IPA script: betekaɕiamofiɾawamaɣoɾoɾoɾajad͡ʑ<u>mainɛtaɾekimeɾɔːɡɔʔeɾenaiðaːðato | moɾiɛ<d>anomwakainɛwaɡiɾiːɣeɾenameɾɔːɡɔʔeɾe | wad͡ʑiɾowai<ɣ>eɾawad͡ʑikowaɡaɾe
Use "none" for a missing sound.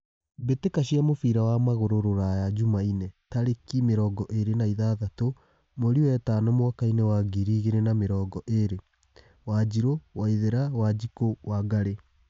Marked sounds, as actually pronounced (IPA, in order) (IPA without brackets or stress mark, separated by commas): u, t, ð